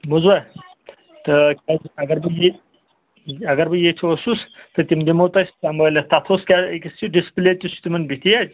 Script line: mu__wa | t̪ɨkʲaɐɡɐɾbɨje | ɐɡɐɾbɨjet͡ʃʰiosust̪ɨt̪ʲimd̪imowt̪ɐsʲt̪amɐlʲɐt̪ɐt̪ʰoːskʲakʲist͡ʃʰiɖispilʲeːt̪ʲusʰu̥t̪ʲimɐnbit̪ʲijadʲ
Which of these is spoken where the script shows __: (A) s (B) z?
B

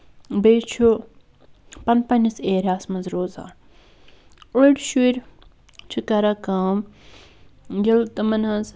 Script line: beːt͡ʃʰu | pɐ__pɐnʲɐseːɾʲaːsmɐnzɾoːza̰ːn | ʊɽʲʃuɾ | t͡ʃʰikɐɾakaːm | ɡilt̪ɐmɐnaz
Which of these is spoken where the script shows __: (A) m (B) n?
B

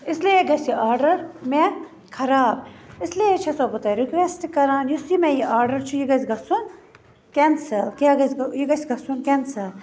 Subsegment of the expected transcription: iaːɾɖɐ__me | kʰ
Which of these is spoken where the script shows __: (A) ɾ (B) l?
A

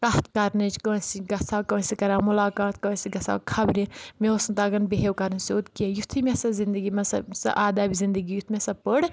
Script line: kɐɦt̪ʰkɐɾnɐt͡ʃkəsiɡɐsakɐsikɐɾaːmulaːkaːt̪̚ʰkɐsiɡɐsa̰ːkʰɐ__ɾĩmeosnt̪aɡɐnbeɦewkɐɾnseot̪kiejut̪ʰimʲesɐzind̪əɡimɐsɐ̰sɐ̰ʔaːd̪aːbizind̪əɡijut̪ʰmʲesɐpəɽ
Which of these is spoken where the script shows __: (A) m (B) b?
B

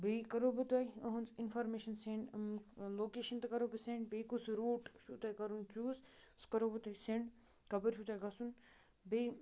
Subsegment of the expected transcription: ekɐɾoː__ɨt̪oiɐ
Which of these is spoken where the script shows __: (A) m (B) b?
B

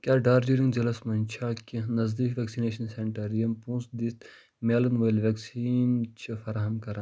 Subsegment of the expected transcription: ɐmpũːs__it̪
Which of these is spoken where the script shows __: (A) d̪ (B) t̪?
A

